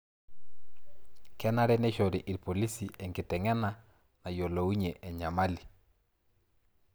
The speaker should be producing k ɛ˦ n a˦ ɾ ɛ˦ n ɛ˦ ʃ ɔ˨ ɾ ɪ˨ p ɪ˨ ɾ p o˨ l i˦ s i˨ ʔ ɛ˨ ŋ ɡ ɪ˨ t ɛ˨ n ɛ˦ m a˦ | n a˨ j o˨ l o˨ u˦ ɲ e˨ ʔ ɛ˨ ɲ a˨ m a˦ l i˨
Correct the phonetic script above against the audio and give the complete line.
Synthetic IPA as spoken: k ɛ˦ n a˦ ɾ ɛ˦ n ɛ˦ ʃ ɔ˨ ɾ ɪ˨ ʔ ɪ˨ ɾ p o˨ l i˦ s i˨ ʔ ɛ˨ ŋ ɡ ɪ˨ t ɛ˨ ŋ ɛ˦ n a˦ | n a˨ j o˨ l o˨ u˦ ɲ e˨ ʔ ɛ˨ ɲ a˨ m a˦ l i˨